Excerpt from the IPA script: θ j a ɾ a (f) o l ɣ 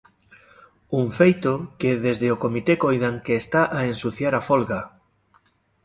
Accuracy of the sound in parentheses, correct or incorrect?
correct